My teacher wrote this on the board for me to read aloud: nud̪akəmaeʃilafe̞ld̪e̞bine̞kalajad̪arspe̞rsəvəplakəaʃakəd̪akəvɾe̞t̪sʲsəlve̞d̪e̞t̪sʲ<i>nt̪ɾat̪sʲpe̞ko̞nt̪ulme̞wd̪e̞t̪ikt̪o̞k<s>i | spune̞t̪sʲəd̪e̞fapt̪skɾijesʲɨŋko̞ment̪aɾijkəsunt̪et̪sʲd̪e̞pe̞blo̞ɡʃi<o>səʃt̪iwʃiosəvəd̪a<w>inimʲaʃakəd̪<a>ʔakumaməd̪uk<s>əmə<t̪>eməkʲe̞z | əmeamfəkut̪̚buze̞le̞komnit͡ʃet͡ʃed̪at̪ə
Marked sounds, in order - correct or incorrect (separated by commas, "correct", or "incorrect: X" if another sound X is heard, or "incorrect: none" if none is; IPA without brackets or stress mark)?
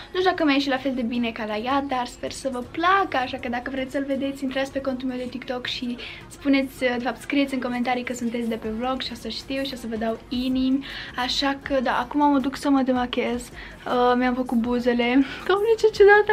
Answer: correct, incorrect: ʃ, correct, correct, correct, correct, incorrect: d̪